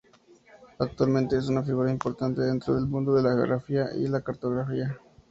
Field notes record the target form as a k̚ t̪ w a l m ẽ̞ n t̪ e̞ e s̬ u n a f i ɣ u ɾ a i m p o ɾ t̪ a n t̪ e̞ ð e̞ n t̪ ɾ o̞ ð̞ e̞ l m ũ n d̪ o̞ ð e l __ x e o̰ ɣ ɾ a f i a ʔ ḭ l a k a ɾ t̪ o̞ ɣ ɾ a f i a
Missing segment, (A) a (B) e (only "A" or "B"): A